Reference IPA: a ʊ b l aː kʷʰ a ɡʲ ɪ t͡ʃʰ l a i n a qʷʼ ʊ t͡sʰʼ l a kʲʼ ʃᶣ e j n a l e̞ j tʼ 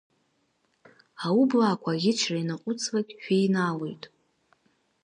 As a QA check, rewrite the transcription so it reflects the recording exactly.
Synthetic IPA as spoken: a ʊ b l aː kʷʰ a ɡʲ ɪ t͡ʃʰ r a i n a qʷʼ ʊ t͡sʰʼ l a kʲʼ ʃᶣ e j n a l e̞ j tʼ